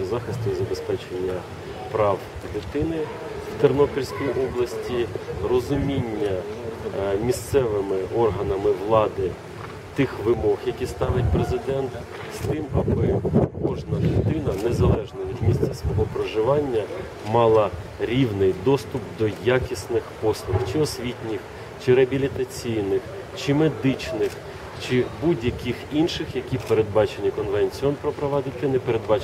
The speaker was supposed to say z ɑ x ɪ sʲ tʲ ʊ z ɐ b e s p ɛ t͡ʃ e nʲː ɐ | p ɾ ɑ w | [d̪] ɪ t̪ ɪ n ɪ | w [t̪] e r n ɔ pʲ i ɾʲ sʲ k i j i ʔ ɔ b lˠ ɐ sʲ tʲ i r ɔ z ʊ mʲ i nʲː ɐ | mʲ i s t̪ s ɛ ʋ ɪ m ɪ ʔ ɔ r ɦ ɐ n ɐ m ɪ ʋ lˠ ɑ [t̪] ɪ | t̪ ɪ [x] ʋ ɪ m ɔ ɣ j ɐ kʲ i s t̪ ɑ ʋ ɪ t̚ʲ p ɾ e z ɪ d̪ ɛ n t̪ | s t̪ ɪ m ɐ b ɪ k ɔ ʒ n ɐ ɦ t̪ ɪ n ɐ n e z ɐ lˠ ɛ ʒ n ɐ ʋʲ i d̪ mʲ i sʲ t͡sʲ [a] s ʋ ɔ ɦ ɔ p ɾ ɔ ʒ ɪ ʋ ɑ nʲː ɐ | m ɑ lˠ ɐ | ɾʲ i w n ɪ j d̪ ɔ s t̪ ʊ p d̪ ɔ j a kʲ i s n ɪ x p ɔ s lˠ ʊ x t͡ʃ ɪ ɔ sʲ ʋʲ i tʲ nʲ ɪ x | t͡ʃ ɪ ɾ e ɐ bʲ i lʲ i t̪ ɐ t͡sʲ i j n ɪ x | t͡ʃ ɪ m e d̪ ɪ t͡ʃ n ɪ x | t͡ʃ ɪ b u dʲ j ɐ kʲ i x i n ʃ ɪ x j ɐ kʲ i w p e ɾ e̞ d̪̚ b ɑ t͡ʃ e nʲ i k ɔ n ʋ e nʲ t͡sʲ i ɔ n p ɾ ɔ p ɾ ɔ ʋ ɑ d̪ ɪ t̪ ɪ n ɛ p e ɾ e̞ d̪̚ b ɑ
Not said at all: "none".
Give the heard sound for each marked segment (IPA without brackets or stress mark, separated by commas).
d̪, t̪, d̪, x, ɐ